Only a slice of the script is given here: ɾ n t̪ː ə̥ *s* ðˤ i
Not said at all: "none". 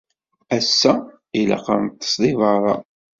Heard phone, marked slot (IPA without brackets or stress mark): s